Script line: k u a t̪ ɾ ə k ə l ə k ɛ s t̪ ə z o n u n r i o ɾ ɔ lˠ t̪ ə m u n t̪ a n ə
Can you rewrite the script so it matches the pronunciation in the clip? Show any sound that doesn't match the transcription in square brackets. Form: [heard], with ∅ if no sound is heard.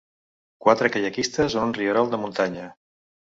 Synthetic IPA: k [w] a t̪ ɾ ə k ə [ʎ] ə k [i] s t̪ ə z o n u n r i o ɾ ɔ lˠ [d̪] ə m u n t̪ a [ɲ] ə